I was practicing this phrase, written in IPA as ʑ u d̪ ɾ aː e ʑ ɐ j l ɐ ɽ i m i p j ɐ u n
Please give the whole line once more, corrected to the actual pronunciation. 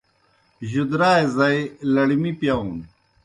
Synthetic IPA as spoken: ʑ u d̪ ɾ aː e z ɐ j l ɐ ɽ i m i p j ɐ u n

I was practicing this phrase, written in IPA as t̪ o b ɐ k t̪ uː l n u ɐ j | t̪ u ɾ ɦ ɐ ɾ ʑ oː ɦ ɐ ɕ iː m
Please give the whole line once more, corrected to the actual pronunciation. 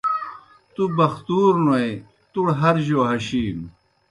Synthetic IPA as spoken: t̪ u b ɐ x t̪ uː ɾ n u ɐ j | t̪ u ɽ ɦ ɐ ɾ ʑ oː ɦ ɐ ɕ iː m

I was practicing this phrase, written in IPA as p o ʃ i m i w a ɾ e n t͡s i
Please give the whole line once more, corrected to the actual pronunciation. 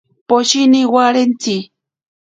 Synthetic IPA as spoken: p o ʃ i n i w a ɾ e n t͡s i

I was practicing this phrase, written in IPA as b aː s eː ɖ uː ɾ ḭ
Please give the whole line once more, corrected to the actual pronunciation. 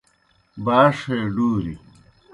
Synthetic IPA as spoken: b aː ʂ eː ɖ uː ɾ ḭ

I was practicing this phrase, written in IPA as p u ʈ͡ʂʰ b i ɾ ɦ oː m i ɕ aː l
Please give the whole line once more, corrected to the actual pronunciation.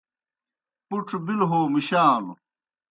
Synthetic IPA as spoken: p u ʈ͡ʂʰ b i l ɦ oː m i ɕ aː l

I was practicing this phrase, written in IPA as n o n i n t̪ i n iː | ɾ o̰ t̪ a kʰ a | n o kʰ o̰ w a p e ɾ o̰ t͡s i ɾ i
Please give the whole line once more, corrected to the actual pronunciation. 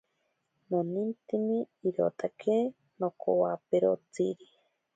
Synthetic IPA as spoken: n o n i n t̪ i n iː | ɾ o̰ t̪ a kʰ e | n o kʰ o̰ w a p e ɾ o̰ t͡s i ɾ i

